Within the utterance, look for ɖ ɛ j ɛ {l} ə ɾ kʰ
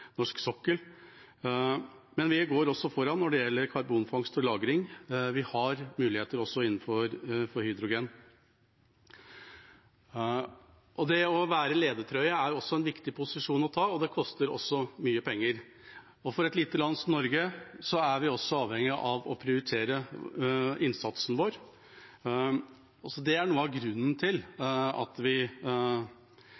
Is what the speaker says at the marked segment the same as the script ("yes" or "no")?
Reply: no